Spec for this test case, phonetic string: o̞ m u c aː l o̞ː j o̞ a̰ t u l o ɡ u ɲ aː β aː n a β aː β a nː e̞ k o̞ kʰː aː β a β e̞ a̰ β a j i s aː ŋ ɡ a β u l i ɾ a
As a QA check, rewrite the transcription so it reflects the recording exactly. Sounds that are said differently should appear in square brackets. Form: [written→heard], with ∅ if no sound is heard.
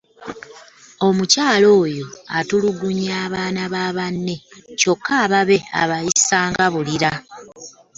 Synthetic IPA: o̞ m u c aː l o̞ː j o̞ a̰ t u l [o→u] ɡ u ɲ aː β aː n a β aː β a nː e̞ [k→c] o̞ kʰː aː β a β e̞ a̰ β a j i s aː ŋ ɡ a β u l i ɾ a